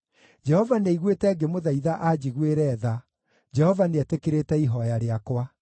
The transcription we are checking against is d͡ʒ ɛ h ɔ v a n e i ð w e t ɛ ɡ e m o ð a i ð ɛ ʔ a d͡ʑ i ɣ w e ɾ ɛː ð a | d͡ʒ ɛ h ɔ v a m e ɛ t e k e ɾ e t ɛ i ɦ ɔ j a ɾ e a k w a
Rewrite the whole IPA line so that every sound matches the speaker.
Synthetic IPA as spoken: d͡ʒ ɛ h ɔ v a n e i ɣ w e t ɛ ɡ e m o ð a i ð a ʔ a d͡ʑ i ɣ w e ɾ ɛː ð a | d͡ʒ ɛ h ɔ v a n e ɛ t e k e ɾ e t ɛ i ɦ ɔ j a ɾ e a k w a